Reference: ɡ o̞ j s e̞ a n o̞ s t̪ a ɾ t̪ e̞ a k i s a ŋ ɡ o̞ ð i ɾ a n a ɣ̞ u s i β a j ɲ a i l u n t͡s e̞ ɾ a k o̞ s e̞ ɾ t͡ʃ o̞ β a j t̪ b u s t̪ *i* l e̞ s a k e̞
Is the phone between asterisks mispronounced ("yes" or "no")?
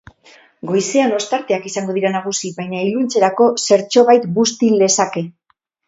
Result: no